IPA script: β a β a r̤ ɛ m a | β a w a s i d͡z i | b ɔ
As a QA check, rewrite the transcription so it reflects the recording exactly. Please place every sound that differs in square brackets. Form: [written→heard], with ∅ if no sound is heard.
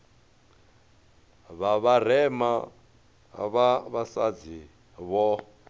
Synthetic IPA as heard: β a β a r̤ ɛ m a | β a [w→β] a s [i→a] d͡z i | [b→β] ɔ

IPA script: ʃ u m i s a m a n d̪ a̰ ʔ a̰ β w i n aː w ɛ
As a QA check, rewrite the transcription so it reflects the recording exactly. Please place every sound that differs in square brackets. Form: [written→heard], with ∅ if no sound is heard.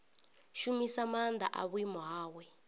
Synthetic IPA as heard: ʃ u m i s a m a n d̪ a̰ ʔ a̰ β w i [n→m] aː w ɛ

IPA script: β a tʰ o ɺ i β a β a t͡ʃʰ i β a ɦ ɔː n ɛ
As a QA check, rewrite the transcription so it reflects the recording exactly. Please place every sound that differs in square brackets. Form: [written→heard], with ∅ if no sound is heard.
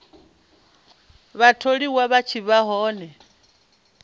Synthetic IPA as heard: β a tʰ o ɺ i [β→w] a β a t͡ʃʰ i β a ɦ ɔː n ɛ

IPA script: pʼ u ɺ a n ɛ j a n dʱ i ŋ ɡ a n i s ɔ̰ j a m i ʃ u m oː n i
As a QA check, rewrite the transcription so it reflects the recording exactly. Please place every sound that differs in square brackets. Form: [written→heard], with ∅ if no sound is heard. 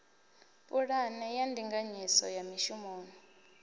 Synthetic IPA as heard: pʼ u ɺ a n ɛ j a n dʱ i ŋ ɡ a [n→ɲ] i s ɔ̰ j a m i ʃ u m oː n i

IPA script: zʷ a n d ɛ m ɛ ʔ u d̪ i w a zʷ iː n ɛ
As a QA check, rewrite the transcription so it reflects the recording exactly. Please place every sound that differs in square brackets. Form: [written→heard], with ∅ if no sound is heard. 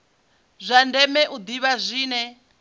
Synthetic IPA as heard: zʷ a n d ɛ m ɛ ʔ u d̪ i [w→β] a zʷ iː n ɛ

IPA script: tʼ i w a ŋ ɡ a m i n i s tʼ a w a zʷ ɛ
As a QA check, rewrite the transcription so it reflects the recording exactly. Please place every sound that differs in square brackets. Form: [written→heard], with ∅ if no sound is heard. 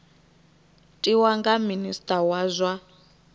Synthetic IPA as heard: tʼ i w a ŋ ɡ a m i n i s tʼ a w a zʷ [ɛ→a]

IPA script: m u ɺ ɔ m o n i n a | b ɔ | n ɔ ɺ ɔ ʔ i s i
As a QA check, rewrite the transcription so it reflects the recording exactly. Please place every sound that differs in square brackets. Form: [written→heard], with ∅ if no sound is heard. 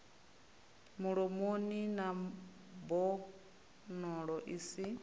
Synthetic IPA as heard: m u ɺ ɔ m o n i n a | b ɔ | n ɔ ɺ ɔ ʔ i s i

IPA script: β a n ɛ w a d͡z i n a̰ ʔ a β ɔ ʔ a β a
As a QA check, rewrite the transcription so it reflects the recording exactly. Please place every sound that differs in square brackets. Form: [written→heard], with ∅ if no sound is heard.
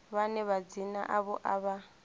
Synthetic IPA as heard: β a n ɛ [w→β] a d͡z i n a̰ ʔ a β ɔ ʔ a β a

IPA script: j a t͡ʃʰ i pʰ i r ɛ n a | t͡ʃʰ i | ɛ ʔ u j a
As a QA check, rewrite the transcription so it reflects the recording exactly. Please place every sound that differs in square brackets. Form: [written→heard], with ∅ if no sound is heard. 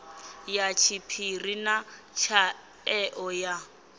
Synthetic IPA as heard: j a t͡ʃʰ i pʰ i r [ɛ→i] n a | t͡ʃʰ [i→a] | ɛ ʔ [u→ɔ] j a

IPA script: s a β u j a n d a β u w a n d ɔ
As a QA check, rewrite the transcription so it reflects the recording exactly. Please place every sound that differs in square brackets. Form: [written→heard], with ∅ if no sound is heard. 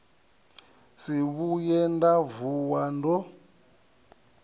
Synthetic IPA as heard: s [a→i] β u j [a→ɛ] n d a [β→v] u w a n d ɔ

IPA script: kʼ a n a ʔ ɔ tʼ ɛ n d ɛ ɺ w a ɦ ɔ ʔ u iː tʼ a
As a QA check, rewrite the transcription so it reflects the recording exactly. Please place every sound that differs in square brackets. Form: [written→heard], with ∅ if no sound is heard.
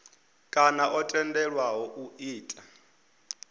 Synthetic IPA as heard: kʼ a n a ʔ ɔ tʼ ɛ n d ɛ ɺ w a ɦ ɔ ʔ u iː tʼ a

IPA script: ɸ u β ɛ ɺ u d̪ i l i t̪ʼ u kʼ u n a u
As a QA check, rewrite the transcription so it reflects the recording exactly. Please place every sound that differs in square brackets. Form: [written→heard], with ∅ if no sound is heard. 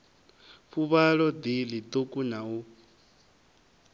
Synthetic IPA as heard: ɸ u β [ɛ→a] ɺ [u→ɔ] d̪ i l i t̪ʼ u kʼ u n a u

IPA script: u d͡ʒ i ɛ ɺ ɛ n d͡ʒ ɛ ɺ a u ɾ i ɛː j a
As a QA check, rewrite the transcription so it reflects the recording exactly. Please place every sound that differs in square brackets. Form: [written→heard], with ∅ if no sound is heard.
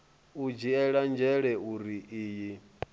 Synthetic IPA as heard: u d͡ʒ i ɛ ɺ [ɛ→a] n d͡ʒ ɛ ɺ [a→ɛ] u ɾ i [ɛː→iː] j [a→i]

